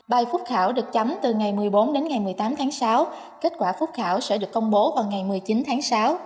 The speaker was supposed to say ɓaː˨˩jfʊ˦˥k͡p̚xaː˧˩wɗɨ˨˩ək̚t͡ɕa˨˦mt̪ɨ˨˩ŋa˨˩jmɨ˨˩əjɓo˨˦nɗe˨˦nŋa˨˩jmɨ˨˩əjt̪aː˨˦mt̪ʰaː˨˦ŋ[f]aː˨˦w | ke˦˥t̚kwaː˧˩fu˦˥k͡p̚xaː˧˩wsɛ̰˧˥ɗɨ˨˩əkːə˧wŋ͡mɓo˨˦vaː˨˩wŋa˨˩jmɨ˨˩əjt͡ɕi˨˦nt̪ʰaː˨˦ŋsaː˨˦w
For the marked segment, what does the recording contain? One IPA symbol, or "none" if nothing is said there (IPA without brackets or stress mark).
s